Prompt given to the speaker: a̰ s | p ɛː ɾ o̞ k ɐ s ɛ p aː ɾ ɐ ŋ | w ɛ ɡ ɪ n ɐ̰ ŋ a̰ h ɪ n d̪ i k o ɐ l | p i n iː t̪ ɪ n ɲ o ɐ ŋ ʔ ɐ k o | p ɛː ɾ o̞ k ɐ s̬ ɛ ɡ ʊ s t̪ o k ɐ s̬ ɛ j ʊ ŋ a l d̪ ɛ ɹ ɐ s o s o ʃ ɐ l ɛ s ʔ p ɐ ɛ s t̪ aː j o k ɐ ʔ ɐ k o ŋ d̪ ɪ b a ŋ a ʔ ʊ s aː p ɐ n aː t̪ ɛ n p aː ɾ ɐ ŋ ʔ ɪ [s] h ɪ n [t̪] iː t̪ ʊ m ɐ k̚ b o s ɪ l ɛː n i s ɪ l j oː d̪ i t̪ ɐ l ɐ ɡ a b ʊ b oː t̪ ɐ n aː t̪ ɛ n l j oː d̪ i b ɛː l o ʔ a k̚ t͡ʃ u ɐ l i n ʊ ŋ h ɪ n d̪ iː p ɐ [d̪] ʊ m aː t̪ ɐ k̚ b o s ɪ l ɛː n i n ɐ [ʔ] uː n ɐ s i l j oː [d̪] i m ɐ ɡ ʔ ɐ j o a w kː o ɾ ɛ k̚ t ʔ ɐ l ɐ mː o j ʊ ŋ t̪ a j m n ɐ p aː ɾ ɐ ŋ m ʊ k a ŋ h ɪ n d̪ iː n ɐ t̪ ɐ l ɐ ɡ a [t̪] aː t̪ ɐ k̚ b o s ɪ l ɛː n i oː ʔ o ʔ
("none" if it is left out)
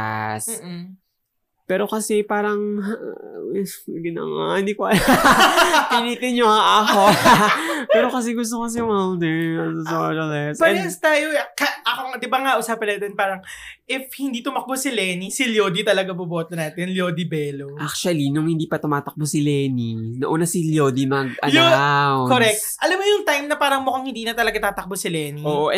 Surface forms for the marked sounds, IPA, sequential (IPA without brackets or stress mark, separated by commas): f, d̪, t̪, ʔ, d̪, t̪